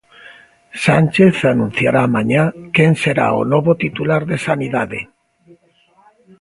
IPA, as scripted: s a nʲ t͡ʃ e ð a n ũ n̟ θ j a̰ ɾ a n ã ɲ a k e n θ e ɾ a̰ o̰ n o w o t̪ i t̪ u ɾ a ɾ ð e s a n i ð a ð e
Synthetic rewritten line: s a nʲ t͡ʃ e θ a n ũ n̟ θ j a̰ ɾ a m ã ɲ a k e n s e ɾ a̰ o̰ n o β o t̪ i t̪ u l a ɾ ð e s a n i ð a ð e

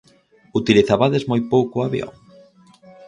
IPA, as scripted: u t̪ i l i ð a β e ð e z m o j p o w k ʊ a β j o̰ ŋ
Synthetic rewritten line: u t̪ i l i θ a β a ð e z m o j p o w k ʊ a β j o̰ ŋ

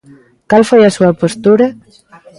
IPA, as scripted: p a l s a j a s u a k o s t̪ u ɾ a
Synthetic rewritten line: k a l f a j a s u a p o s t̪ u ɾ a

